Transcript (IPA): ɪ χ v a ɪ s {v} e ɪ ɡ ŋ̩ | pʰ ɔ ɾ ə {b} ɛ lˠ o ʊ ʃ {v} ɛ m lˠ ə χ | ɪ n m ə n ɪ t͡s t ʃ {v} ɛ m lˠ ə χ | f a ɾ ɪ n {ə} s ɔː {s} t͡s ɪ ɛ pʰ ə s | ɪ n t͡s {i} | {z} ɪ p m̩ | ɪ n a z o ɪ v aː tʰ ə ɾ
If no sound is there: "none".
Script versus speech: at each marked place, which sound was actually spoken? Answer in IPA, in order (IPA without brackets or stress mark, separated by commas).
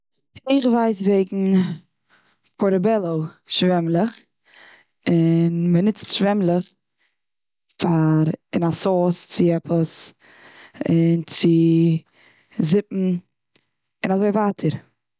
v, b, v, v, a, s, ɪ, z